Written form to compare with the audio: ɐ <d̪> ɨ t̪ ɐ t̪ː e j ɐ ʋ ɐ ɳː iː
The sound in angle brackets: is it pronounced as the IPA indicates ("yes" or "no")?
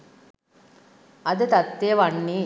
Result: yes